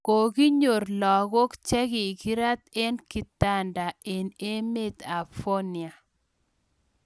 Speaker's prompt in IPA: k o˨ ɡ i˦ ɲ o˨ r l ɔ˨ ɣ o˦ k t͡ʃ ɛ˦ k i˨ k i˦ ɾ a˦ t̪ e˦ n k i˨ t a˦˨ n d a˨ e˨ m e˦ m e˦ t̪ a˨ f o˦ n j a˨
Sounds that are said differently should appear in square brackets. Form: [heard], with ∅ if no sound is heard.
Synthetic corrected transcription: k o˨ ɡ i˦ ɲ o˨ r l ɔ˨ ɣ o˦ k t͡ʃ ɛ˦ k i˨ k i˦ ɾ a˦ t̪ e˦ n k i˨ t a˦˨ n d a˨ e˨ [n] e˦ m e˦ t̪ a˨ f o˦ n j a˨